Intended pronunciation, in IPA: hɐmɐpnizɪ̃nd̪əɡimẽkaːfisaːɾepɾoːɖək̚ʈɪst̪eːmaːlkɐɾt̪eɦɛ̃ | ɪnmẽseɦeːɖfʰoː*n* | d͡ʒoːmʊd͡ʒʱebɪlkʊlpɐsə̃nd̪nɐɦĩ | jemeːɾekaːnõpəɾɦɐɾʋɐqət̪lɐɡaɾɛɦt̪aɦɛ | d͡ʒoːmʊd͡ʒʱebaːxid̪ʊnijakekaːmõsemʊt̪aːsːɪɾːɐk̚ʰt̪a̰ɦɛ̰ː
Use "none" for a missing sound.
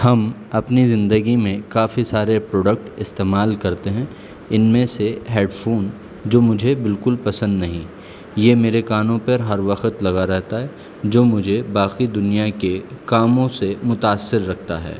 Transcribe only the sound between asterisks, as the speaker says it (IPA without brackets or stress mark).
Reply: n